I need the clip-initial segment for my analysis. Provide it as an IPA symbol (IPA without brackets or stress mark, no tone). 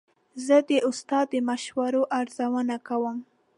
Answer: z